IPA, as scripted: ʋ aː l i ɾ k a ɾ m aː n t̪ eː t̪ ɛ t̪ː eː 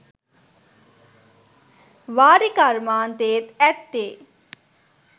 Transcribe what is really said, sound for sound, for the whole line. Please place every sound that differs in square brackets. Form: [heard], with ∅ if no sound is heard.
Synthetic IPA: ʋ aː [ɾ] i [∅] k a ɾ m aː n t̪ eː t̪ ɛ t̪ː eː